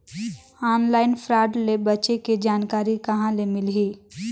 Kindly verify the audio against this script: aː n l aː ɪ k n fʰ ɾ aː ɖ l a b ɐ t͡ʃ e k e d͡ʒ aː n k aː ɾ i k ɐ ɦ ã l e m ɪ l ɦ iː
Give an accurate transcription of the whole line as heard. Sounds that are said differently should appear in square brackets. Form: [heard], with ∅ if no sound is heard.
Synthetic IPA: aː n l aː ɪ [∅] n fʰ ɾ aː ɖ l [e] b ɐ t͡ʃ e k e d͡ʒ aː n k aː ɾ i k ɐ ɦ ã l e m ɪ l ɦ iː